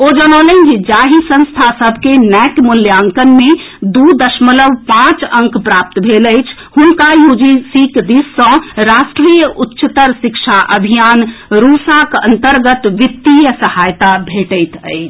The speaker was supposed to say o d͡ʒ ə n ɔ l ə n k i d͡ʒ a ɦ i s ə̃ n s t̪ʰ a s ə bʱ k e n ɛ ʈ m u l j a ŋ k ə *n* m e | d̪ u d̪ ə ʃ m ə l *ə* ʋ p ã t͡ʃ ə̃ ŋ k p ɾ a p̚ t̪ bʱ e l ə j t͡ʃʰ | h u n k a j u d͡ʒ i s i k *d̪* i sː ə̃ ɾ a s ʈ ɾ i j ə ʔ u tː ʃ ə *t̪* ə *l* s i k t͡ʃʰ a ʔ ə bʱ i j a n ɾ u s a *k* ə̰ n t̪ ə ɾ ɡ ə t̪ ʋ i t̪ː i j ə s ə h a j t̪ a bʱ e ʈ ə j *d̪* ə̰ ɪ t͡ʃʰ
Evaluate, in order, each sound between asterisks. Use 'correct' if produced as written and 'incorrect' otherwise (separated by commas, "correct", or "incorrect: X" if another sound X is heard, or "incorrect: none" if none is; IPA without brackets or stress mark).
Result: correct, correct, correct, correct, incorrect: ɾ, correct, incorrect: t̪